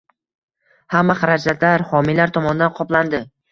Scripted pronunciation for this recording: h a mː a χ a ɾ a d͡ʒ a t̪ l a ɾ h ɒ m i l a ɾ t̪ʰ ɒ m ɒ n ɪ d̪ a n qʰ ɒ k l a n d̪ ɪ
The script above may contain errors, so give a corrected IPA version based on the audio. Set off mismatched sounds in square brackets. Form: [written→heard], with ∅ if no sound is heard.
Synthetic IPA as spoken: h a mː a χ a ɾ a d͡ʒ a t̪ l a ɾ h ɒ m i l a ɾ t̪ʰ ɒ m ɒ n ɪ d̪ a n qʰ ɒ [k→p] l a n d̪ ɪ